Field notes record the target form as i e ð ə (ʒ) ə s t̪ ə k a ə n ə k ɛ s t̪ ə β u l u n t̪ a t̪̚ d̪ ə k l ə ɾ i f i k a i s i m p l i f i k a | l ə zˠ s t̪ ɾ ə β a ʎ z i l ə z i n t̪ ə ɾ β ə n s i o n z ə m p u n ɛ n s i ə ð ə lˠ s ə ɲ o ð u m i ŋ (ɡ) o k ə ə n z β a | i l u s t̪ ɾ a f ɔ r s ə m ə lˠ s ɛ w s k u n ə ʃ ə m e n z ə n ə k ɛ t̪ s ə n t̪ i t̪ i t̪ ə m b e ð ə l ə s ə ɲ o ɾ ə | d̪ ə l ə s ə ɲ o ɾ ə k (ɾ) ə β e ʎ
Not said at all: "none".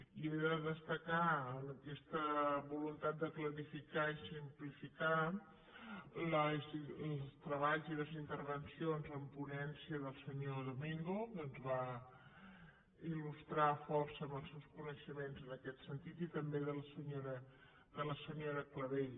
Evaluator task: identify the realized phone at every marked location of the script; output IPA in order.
ð, ɡ, l

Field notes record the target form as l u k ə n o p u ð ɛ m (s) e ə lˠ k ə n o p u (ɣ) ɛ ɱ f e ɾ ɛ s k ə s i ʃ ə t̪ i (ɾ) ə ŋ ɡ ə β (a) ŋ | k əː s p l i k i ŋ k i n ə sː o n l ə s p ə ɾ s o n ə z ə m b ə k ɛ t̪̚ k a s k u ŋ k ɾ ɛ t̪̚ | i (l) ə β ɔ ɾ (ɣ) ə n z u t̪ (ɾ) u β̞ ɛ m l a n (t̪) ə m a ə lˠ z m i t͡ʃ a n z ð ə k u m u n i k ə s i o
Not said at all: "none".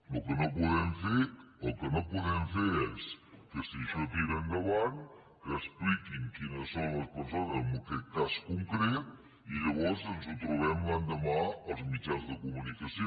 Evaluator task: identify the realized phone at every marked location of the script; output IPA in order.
f, ð, ɾ, a, ʎ, z, ɾ, d̪

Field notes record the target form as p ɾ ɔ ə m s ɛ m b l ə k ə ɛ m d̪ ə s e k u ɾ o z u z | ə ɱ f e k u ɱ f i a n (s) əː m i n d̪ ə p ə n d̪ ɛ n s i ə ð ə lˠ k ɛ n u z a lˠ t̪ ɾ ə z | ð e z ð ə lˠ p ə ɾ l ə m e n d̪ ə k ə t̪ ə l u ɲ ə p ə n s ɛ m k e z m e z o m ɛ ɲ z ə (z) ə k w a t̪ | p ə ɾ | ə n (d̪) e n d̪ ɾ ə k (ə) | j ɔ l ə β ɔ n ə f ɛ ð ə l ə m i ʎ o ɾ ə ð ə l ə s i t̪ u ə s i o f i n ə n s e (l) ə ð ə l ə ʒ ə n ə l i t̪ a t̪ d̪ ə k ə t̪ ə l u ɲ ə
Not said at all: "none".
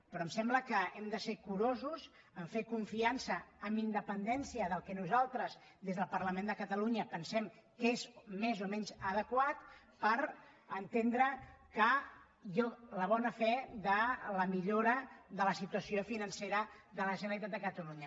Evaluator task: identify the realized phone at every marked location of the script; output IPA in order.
s, ð, t̪, ə, ɾ

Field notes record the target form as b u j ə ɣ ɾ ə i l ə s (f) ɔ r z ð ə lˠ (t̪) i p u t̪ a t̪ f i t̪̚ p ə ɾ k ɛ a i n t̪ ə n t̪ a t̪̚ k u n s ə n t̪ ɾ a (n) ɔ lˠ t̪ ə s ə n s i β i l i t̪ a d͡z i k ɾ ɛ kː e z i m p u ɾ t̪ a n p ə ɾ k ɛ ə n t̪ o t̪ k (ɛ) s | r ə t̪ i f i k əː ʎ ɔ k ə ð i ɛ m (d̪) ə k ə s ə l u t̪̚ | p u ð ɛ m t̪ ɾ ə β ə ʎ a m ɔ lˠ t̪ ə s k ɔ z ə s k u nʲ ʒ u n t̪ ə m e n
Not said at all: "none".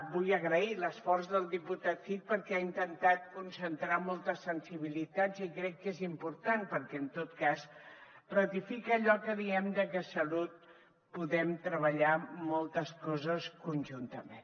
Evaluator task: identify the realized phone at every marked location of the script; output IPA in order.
f, d̪, m, a, d̪

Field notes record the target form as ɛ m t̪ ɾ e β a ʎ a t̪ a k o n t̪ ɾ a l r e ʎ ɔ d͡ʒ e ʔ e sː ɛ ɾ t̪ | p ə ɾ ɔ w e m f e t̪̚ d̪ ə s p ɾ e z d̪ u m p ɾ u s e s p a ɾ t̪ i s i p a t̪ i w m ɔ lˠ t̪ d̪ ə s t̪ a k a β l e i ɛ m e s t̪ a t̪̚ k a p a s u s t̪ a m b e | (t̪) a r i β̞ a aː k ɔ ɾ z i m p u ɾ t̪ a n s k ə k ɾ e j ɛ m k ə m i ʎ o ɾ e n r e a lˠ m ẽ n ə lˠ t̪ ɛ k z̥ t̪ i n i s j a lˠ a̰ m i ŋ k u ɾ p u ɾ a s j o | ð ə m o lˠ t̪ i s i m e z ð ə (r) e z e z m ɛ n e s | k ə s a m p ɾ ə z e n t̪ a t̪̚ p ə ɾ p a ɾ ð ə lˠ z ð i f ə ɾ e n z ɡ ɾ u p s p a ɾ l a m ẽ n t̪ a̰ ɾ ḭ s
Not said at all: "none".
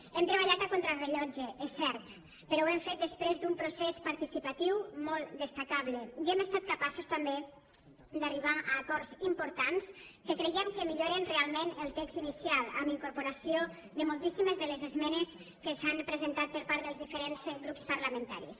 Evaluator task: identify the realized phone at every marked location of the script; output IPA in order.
d̪, l

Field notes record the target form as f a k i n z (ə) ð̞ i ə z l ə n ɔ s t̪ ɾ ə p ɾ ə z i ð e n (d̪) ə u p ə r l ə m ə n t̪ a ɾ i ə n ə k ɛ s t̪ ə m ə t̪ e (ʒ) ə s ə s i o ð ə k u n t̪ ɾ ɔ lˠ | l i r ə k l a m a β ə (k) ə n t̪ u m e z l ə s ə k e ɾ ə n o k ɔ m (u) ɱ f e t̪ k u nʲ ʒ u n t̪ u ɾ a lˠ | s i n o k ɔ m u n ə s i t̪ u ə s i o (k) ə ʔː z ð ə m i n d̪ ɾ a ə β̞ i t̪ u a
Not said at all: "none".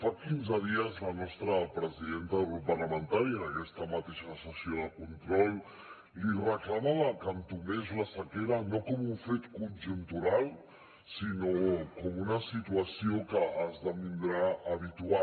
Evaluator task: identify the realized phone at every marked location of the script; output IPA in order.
ə, t̪, ʃ, k, u, k

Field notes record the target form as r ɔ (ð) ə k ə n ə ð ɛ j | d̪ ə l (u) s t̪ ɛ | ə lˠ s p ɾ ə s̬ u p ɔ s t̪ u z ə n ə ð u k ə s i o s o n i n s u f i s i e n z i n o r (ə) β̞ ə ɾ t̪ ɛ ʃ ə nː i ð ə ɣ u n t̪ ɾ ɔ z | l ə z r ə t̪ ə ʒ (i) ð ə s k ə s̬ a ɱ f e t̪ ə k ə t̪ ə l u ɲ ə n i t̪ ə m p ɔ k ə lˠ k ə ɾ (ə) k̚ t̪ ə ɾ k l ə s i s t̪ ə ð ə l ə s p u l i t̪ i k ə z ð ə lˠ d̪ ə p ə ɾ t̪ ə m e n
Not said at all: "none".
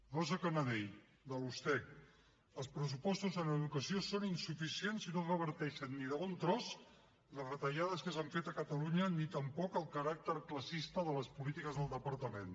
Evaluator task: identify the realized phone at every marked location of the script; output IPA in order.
z, u, ə, a, a

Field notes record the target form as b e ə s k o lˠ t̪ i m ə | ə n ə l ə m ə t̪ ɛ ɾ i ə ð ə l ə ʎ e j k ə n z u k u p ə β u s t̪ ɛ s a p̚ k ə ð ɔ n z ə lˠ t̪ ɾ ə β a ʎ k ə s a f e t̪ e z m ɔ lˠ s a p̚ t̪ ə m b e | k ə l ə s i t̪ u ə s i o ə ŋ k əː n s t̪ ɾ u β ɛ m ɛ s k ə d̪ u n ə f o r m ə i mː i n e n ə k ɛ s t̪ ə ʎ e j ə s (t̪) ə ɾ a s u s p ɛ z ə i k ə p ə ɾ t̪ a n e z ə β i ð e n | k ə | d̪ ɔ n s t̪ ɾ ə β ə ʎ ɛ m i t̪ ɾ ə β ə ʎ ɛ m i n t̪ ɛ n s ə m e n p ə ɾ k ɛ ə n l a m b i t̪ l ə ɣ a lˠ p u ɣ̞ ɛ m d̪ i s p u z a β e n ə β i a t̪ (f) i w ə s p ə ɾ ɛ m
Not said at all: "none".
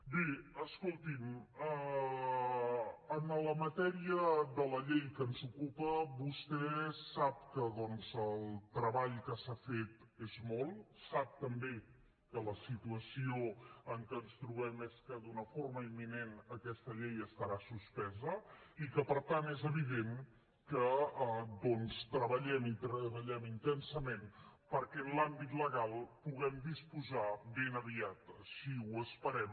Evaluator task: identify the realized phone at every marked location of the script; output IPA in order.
t̪, s

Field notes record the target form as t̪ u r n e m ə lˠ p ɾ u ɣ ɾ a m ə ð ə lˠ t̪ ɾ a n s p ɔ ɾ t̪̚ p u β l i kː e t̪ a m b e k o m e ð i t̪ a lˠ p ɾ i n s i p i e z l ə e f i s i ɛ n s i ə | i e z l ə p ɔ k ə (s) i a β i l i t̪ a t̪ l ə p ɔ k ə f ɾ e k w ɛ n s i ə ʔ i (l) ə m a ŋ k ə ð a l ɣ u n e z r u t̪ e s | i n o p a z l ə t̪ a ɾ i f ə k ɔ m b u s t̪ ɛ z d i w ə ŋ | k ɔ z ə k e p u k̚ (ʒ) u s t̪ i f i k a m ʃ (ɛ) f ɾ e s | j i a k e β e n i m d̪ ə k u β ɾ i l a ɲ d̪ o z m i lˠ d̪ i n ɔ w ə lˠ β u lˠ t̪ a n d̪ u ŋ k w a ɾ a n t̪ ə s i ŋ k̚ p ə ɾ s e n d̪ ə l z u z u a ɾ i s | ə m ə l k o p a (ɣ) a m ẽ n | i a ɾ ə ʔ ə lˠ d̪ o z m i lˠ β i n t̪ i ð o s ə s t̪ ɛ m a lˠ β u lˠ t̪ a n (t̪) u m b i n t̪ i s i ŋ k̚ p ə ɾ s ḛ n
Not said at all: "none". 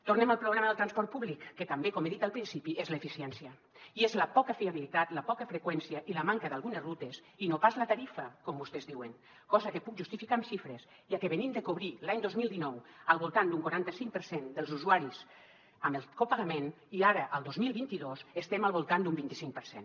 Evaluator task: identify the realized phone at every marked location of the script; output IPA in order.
f, l, ʒ, i, ɣ, d̪

